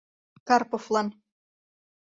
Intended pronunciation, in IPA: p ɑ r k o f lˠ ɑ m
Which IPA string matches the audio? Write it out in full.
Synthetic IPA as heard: k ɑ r p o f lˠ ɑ n